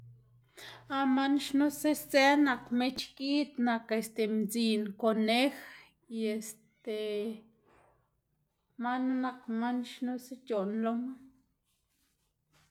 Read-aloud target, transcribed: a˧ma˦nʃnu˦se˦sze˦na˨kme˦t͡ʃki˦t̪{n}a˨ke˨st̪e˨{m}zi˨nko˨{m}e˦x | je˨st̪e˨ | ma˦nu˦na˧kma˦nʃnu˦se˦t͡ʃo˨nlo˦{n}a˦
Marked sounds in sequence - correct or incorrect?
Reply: correct, correct, incorrect, incorrect

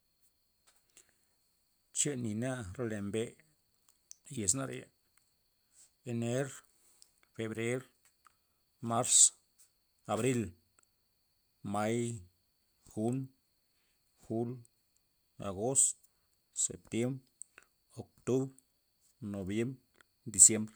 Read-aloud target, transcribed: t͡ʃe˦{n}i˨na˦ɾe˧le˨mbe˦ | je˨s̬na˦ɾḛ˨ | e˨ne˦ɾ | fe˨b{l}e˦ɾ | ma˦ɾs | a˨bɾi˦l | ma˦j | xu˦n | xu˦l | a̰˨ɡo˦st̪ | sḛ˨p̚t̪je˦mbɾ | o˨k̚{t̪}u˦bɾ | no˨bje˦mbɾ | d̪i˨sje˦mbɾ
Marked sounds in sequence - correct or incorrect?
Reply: correct, incorrect, correct

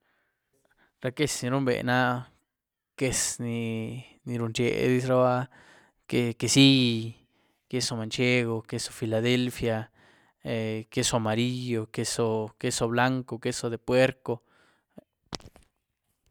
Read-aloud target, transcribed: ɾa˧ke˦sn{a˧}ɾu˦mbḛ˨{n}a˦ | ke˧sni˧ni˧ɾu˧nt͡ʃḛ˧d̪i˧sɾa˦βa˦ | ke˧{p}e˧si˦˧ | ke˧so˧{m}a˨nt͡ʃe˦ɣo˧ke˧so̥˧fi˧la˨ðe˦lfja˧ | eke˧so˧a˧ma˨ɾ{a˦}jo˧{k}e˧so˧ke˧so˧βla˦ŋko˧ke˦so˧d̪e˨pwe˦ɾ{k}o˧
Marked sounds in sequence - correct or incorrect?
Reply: incorrect, correct, incorrect, correct, incorrect, correct, correct

